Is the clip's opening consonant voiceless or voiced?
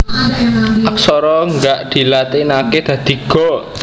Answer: voiceless